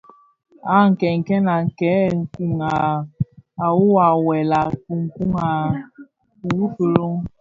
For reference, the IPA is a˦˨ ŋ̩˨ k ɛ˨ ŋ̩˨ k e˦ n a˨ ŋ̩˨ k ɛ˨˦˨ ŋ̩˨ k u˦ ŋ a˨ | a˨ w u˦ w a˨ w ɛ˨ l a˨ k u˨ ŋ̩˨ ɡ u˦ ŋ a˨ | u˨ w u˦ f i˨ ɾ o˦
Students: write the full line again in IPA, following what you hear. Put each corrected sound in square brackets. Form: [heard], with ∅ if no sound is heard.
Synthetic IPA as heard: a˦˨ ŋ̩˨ k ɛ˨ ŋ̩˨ k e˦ n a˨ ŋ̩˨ k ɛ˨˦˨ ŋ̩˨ k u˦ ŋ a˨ | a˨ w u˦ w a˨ w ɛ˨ l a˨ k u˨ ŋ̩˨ [k] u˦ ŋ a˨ | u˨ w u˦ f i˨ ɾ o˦